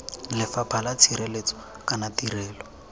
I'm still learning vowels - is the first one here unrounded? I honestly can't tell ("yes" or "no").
yes